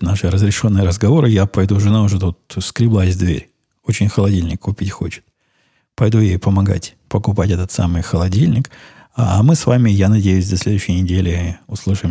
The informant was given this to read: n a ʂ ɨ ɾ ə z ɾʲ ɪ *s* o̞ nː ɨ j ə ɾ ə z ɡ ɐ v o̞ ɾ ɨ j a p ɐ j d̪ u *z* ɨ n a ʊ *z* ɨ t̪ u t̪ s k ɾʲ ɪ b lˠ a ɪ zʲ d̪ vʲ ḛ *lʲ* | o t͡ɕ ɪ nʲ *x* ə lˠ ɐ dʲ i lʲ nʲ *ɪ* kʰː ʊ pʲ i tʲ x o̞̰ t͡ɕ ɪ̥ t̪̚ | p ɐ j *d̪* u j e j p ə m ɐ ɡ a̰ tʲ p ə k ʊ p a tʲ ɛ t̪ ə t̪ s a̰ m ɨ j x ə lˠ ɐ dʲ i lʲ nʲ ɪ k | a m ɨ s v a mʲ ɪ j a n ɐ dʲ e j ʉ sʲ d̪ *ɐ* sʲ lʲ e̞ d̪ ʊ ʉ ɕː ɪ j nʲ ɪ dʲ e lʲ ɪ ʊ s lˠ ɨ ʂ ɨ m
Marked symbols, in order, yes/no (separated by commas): no, no, no, no, yes, yes, yes, yes